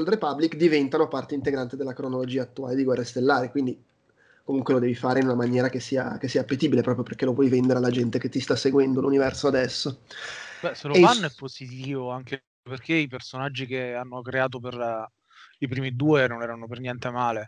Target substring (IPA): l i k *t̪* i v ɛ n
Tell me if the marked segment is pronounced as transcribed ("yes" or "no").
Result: no